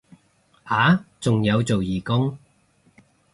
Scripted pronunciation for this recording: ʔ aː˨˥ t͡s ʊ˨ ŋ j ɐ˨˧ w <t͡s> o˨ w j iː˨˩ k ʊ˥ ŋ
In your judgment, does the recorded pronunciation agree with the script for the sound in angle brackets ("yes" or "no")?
yes